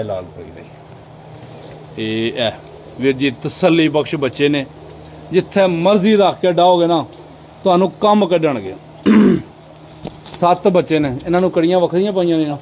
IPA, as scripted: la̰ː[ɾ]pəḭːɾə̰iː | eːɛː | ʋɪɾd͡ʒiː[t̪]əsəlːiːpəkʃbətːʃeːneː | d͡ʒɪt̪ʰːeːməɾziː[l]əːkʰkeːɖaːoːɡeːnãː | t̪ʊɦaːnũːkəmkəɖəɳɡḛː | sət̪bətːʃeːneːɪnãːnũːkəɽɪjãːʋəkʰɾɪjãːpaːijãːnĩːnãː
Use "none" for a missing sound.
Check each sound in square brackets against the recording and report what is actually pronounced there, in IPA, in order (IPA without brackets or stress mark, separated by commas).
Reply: l, t̪, ɾ